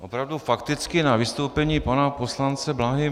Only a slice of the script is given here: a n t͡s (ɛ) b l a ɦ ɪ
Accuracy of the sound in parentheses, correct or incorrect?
correct